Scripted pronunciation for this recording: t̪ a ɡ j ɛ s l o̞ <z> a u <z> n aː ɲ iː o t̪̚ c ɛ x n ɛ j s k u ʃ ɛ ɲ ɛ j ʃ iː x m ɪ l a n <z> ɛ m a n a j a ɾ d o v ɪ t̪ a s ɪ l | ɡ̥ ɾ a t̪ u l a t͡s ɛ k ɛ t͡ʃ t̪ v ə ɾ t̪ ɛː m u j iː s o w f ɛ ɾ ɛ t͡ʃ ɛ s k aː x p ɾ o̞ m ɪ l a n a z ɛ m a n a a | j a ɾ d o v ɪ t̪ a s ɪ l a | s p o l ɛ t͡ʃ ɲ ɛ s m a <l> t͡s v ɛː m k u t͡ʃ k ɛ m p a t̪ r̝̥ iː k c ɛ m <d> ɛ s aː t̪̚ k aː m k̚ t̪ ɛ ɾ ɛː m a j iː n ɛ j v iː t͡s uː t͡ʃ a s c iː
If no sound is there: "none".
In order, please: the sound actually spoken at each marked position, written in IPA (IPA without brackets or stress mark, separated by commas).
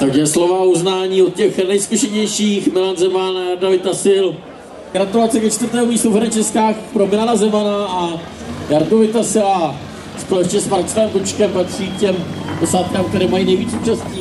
v, z, z, ɾ, d